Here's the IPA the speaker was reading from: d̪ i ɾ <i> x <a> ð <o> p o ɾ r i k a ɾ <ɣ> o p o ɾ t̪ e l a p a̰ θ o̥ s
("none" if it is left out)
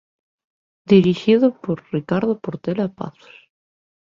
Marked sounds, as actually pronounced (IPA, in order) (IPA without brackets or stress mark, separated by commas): i, i, o, ð